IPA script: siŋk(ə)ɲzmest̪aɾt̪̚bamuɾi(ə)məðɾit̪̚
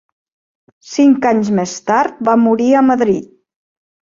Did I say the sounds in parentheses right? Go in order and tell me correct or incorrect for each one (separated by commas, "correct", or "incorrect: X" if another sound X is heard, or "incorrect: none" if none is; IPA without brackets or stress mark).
incorrect: a, correct